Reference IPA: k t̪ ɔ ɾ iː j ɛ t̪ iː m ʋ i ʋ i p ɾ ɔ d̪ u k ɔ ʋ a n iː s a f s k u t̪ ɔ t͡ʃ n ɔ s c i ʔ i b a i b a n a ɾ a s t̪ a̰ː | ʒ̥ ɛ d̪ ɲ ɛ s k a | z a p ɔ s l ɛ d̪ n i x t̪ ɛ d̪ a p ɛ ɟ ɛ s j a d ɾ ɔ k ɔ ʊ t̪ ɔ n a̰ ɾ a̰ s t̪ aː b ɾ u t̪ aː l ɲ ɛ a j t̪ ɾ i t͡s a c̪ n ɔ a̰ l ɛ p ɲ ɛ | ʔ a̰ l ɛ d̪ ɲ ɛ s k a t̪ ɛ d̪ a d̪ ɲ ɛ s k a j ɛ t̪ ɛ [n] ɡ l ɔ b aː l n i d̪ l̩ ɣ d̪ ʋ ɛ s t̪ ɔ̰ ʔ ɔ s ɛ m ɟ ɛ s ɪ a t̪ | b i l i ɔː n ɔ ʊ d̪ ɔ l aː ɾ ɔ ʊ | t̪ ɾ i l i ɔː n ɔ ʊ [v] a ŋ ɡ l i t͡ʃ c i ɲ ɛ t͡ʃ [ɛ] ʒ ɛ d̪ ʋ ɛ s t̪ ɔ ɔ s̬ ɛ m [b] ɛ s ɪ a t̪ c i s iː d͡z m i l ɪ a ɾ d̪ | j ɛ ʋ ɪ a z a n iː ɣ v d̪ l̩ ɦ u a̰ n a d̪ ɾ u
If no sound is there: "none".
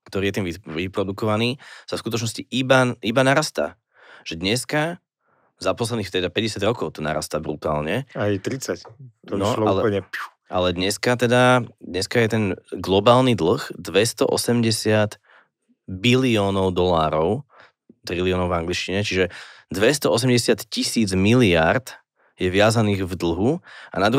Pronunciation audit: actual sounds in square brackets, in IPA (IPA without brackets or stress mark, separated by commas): n, v, i, ɟ